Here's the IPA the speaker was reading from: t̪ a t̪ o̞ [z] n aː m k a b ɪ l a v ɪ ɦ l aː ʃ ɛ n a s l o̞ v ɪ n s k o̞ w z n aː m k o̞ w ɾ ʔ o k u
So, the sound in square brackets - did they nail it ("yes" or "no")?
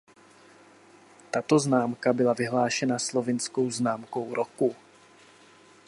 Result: yes